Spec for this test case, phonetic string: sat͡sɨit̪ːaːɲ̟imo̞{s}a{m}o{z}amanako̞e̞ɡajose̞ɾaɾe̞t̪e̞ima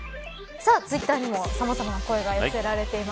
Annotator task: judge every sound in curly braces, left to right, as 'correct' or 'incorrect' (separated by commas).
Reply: correct, correct, correct